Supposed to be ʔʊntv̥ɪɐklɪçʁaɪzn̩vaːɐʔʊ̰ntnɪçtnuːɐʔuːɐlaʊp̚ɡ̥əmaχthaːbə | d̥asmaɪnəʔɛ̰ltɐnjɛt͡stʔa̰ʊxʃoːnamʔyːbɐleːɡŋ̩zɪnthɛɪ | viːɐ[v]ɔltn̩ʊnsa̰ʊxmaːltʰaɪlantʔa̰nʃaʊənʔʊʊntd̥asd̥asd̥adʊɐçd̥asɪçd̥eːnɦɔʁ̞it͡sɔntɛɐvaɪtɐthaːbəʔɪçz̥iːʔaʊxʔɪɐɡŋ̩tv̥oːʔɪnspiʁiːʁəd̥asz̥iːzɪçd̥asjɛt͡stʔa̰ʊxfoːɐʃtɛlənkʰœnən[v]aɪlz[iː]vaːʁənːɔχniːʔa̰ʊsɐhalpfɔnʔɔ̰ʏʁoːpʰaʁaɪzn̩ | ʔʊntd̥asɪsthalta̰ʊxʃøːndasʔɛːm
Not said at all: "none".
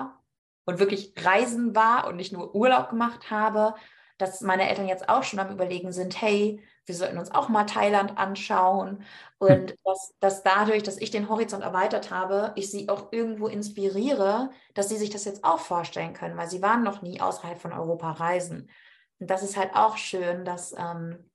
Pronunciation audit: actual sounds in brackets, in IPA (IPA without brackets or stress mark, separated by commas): z, v, iː